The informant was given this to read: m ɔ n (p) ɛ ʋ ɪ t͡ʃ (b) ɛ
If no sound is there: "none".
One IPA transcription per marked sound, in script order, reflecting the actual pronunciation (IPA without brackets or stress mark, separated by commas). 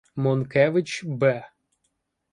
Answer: k, b